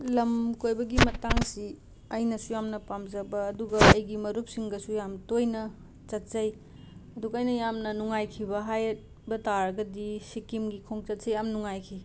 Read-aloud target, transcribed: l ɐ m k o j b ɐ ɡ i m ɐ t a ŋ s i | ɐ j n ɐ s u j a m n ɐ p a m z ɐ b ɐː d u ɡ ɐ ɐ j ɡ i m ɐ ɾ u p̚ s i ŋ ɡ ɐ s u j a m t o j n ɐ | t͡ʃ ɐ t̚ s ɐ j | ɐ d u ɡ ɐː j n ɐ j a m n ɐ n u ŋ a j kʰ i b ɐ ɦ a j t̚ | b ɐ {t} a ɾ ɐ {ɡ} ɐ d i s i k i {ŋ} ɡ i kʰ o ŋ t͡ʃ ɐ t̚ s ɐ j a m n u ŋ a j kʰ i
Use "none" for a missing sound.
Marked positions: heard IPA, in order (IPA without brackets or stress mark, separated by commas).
t, ɡ, m